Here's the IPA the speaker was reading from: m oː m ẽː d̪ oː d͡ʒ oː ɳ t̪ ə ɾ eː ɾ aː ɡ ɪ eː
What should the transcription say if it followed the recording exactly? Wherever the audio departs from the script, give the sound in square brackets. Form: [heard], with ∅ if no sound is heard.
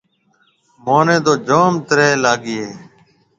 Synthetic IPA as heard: m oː [n] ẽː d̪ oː d͡ʒ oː [m] t̪ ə ɾ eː [l] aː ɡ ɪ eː